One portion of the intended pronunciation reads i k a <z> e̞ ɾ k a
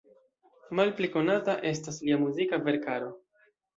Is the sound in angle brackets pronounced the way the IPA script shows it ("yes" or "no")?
no